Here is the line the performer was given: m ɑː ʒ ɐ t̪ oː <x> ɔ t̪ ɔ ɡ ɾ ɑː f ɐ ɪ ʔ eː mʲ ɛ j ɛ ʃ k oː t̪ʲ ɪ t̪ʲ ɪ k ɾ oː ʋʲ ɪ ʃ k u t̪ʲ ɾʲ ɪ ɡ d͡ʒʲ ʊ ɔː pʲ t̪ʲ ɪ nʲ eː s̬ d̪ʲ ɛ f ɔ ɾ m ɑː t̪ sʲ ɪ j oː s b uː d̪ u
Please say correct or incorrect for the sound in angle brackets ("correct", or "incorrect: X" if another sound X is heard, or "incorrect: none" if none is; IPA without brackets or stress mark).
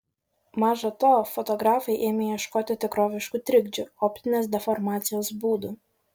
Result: incorrect: f